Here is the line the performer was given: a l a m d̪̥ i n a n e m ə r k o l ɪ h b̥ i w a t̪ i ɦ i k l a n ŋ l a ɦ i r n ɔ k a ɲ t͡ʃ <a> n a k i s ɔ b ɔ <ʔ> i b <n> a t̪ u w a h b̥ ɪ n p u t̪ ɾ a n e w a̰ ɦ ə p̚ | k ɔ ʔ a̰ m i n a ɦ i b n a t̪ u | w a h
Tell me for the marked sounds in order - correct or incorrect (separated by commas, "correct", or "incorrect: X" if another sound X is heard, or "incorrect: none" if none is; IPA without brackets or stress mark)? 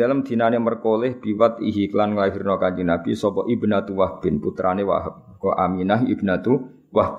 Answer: incorrect: i, correct, correct